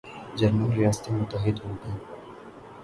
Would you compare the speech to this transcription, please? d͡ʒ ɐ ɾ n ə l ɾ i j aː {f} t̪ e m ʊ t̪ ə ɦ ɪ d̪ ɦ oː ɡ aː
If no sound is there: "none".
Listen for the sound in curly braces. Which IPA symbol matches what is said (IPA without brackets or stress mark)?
s